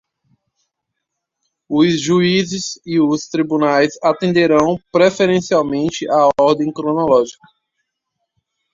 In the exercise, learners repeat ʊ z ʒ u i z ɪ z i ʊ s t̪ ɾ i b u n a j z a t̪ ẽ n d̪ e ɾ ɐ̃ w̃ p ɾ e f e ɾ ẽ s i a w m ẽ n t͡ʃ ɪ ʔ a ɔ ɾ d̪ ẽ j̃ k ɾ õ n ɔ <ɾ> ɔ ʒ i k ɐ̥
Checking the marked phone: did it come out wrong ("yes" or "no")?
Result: yes